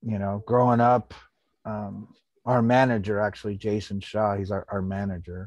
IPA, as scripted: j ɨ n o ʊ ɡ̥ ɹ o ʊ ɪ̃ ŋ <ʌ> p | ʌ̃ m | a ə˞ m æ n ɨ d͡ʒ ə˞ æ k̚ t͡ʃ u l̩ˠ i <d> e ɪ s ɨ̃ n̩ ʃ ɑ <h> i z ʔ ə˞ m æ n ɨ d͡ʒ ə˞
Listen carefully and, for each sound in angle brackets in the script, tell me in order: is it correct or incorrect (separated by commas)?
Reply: correct, incorrect, correct